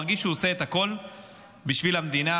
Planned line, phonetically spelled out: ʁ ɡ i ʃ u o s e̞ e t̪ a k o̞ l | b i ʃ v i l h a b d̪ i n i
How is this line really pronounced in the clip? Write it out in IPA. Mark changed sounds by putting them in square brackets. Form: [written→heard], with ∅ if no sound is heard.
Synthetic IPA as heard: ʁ ɡ i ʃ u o s e̞ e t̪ a k o̞ l | b i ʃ v i l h a [b→m] d̪ i n [i→a]